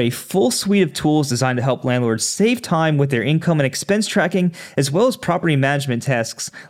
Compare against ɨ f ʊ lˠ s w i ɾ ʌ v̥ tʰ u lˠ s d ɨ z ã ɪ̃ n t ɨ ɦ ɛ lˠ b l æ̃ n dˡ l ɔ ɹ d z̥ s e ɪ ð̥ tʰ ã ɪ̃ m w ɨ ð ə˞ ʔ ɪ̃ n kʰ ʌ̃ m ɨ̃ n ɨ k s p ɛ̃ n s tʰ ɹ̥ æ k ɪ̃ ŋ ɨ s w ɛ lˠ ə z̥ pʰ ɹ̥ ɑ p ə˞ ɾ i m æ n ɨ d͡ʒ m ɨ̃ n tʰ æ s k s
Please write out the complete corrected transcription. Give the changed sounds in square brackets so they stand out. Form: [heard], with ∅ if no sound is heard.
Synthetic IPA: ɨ f ʊ lˠ s w i ɾ ʌ v̥ tʰ u lˠ [z] d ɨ z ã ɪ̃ n t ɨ ɦ ɛ lˠ [p] l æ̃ n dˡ l ɔ ɹ d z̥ s e ɪ [v̥] tʰ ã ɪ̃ m w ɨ ð ə˞ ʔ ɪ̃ n kʰ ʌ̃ m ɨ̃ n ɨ k s p ɛ̃ n s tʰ ɹ̥ æ k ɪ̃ ŋ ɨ [z] w ɛ lˠ ə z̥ pʰ ɹ̥ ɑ p ə˞ ɾ i m æ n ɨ d͡ʒ m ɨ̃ n tʰ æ s k s